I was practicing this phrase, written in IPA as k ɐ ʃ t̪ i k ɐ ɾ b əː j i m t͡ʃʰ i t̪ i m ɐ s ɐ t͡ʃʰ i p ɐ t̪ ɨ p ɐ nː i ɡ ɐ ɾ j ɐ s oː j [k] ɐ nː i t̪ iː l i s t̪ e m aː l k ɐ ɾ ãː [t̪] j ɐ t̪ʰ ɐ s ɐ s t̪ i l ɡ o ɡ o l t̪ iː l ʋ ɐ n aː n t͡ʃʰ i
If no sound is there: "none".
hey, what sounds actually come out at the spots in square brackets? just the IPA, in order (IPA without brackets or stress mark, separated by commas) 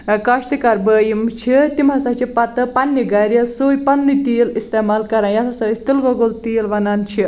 p, none